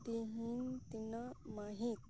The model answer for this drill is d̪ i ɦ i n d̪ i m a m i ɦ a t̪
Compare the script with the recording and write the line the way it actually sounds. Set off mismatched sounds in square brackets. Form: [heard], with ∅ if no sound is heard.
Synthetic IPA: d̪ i ɦ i n [t̪] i [n] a m [a] ɦ [i] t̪

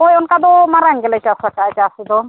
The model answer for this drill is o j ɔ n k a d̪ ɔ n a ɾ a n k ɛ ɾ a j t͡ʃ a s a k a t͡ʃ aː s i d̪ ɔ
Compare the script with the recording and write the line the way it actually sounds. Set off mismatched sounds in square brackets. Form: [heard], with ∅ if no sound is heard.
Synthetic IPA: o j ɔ n k a d̪ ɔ [m] a ɾ a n [ɡ] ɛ [l] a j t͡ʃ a s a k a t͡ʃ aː s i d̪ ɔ

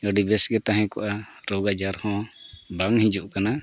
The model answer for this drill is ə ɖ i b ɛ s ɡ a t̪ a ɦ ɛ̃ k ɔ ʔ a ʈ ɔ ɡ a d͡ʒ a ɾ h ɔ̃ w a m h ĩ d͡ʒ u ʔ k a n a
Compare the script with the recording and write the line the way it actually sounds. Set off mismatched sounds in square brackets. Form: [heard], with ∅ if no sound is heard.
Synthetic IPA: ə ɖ i b ɛ s ɡ [ɛ] t̪ a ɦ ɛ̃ k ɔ ʔ a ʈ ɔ ɡ a d͡ʒ a ɾ h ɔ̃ [b] a [ŋ] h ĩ d͡ʒ u ʔ k a n a

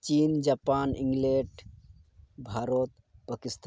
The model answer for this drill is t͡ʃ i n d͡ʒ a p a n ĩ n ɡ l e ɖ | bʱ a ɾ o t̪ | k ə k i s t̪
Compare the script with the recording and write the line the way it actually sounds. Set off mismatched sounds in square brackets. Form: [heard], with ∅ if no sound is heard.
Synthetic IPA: t͡ʃ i n d͡ʒ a p a n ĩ [ŋ] ɡ l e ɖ | bʱ a ɾ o t̪ | [p] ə k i s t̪

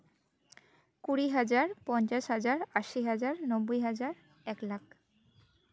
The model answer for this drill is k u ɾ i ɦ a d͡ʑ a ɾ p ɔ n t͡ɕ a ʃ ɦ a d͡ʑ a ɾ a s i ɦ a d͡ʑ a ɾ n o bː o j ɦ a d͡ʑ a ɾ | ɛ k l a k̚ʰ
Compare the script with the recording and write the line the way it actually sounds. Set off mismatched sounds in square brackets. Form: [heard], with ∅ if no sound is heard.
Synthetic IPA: k u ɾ i ɦ a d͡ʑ a ɾ p ɔ n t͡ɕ a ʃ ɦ a d͡ʑ a ɾ a [ʃ] i ɦ a d͡ʑ a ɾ n o bː o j ɦ a d͡ʑ a ɾ | ɛ k l a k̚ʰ

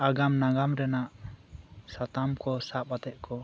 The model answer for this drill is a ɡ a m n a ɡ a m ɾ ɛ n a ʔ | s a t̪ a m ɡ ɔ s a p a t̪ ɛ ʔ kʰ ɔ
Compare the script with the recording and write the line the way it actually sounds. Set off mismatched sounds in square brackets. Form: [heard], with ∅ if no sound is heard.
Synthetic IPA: a ɡ a m n a ɡ a m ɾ ɛ n a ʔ | s a t̪ a m [k] ɔ s a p a t̪ ɛ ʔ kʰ ɔ

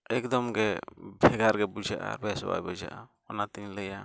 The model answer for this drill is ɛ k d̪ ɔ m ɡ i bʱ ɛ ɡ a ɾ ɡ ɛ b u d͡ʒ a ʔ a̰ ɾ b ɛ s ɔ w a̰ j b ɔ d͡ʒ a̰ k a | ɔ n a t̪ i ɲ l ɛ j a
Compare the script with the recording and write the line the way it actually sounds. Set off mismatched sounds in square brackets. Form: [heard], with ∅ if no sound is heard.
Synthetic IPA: ɛ k d̪ ɔ m ɡ [ɛ] bʱ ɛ ɡ a ɾ ɡ ɛ b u d͡ʒ a ʔ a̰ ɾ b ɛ s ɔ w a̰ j b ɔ d͡ʒ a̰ [ʔ] a | ɔ n a t̪ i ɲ l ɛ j a

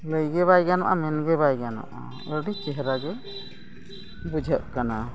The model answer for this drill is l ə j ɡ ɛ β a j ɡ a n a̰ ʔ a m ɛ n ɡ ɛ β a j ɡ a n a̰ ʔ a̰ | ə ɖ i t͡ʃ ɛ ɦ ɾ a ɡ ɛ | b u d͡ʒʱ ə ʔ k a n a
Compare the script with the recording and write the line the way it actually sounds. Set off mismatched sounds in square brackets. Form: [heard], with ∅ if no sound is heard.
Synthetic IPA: l ə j ɡ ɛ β a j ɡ a n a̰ ʔ a m ɛ n ɡ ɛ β a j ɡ a n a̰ ʔ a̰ | ə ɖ i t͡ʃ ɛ ɦ ɾ a ɡ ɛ | b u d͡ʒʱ ə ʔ k a n a

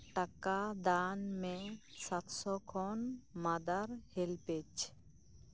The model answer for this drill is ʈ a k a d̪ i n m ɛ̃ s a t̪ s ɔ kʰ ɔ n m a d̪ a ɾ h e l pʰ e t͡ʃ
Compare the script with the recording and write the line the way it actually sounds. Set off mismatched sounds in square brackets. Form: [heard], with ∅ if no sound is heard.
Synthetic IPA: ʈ a k a d̪ [a] n m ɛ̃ s a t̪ s ɔ kʰ ɔ n m a d̪ a ɾ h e l [p] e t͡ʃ

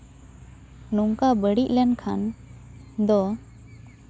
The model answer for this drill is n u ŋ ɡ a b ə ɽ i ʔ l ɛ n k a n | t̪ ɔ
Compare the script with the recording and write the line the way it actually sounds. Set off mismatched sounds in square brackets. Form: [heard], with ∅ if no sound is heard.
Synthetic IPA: n u ŋ [k] a b ə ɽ i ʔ l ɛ n [kʰ] a n | [d̪] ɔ

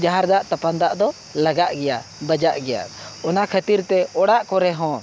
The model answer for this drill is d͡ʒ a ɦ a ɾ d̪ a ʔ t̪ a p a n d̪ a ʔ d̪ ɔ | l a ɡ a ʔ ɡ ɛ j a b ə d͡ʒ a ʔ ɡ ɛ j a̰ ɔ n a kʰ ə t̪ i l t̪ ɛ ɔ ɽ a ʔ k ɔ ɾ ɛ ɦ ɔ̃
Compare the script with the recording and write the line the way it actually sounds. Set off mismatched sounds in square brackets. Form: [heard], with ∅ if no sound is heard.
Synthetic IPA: d͡ʒ a ɦ a ɾ d̪ a ʔ t̪ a p a n d̪ a ʔ d̪ ɔ | l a ɡ a ʔ ɡ ɛ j a b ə d͡ʒ a ʔ ɡ ɛ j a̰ ɔ n a kʰ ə t̪ i [ɾ] t̪ ɛ ɔ ɽ a ʔ k ɔ ɾ ɛ ɦ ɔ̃

